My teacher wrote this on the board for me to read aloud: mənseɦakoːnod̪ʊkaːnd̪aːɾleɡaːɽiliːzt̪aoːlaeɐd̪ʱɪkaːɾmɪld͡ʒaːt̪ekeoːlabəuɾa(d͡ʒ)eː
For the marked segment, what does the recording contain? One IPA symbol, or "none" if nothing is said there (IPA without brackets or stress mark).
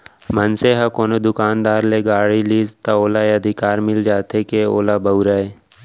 none